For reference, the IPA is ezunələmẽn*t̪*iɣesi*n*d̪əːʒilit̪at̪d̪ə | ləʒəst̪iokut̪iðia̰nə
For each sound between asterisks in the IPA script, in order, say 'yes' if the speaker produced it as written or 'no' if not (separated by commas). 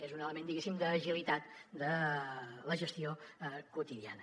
no, no